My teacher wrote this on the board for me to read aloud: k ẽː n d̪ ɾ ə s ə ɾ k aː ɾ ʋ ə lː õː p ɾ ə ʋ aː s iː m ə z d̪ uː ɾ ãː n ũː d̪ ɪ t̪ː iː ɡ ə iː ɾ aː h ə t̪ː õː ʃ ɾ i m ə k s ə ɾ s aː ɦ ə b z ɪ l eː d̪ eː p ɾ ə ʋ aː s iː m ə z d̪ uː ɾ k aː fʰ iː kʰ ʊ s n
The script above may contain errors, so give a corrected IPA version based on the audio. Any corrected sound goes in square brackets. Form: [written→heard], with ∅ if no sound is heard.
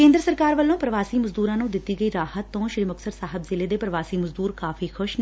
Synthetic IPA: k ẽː n d̪ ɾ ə s ə ɾ k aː ɾ ʋ ə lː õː p ɾ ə ʋ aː s iː m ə z d̪ uː ɾ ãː n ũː d̪ ɪ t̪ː iː ɡ ə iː ɾ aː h ə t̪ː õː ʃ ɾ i m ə k s ə ɾ s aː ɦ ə b z ɪ l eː d̪ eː p ɾ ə ʋ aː s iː m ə z d̪ uː ɾ k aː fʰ iː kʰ ʊ [s→ʃ] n

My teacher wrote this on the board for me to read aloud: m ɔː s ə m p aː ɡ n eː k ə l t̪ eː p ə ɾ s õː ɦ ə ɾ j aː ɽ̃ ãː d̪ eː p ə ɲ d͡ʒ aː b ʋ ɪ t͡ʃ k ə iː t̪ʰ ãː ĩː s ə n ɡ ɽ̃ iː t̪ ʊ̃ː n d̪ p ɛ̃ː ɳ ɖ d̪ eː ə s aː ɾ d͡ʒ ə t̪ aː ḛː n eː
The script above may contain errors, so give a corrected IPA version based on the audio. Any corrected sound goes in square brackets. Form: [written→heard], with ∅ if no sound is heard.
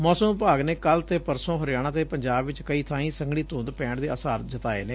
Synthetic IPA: m ɔː s ə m p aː ɡ n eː k ə l t̪ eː p ə ɾ s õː ɦ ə ɾ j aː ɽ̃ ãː [d̪→t̪] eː p ə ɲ d͡ʒ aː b ʋ ɪ t͡ʃ k ə iː t̪ʰ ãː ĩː s ə [n→ŋ] ɡ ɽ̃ iː t̪ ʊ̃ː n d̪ p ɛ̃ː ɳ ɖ d̪ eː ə s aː ɾ d͡ʒ ə t̪ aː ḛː n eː

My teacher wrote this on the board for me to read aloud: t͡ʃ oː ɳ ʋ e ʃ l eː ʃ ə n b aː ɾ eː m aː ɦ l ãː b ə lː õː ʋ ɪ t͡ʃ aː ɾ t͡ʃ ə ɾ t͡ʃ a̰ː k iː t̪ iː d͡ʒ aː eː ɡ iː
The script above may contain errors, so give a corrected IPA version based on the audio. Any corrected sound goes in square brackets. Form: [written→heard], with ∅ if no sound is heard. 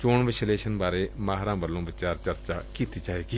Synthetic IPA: t͡ʃ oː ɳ ʋ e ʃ l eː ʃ ə n b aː ɾ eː m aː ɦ [l→ɾ] ãː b ə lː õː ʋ ɪ t͡ʃ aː ɾ t͡ʃ ə ɾ t͡ʃ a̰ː k iː t̪ iː d͡ʒ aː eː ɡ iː

